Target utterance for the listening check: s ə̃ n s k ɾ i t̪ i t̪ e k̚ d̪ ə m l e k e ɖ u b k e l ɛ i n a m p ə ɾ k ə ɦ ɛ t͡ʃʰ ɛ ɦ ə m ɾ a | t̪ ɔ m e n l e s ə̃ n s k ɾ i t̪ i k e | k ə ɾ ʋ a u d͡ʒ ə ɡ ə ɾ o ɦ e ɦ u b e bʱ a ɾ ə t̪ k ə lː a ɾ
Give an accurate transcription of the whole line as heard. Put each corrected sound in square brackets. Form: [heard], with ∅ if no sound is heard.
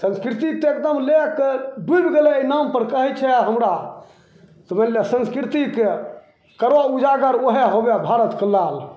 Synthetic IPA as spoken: s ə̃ n s k ɾ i t̪ i t̪ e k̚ d̪ ə m l e k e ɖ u b [ɡ] e l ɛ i n a m p ə ɾ k ə ɦ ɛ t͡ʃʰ ɛ ɦ ə m ɾ a | t̪ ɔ m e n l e s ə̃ n s k ɾ i t̪ i k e | k ə ɾ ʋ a u d͡ʒ [a] ɡ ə ɾ o ɦ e ɦ [o] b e bʱ a ɾ ə t̪ k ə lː a [l]